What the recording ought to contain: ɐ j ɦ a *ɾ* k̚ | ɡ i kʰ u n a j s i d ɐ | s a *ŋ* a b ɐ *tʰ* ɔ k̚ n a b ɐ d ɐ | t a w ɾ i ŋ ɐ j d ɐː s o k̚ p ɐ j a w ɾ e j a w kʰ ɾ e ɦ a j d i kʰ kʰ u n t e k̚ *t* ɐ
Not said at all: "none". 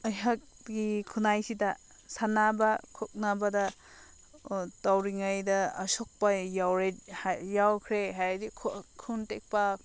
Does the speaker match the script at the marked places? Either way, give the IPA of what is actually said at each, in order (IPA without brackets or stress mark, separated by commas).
none, n, kʰ, p